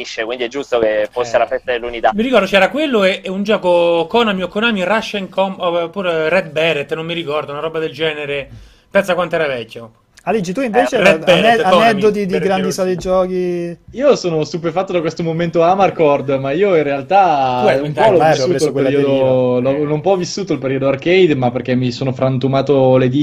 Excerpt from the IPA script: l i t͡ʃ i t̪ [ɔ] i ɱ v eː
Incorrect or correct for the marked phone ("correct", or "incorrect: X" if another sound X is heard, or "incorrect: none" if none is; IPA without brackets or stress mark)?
incorrect: u